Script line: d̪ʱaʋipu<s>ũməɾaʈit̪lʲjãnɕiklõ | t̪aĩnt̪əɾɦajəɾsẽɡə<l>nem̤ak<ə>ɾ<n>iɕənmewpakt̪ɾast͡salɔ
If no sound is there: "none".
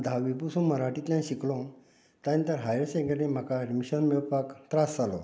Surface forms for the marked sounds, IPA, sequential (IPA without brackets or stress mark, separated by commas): s, ɾ, a, m